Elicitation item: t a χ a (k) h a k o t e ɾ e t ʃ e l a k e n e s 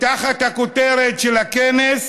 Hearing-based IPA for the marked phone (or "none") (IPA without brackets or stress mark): t